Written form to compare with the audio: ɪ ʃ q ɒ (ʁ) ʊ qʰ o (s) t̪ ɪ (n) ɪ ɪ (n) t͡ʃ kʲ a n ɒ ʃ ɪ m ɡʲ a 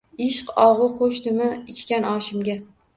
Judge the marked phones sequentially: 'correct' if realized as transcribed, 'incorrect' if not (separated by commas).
correct, incorrect, incorrect, incorrect